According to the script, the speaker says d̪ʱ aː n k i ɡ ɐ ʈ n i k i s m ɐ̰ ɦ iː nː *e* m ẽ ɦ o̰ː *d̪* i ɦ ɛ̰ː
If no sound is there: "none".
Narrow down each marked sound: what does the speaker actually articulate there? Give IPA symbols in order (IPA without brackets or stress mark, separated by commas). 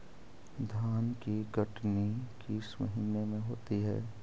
e, t̪